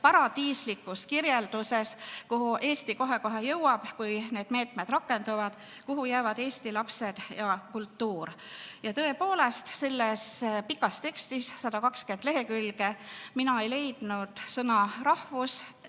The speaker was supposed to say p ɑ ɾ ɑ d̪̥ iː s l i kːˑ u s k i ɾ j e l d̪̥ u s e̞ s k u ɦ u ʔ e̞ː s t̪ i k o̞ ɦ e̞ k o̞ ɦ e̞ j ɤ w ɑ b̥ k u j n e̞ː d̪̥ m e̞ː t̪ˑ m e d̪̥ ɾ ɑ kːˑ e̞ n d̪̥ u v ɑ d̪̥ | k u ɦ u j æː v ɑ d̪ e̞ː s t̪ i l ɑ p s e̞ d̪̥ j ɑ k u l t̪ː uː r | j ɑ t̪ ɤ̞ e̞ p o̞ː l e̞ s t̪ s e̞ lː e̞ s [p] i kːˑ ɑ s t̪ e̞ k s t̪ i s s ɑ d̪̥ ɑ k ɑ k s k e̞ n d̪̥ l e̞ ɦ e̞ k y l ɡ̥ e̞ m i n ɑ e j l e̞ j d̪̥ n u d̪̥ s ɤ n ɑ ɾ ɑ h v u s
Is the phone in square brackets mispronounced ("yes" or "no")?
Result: no